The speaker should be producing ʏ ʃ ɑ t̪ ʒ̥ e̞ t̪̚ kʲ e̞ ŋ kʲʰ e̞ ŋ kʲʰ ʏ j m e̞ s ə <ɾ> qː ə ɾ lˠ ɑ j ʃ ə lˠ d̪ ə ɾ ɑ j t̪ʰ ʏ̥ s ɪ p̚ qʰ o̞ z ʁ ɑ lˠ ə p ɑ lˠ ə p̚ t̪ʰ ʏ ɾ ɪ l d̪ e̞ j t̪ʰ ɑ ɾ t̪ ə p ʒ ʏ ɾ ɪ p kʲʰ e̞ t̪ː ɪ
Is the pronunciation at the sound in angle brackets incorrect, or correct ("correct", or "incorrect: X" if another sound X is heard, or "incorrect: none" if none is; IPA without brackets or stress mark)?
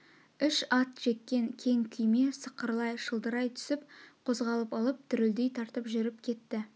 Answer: incorrect: none